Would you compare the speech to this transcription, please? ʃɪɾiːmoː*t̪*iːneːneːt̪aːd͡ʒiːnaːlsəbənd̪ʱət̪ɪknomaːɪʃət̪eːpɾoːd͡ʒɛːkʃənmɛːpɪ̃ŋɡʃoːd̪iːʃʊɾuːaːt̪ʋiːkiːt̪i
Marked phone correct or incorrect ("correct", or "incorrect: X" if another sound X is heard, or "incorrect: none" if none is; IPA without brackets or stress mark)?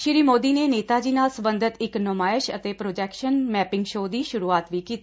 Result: incorrect: d̪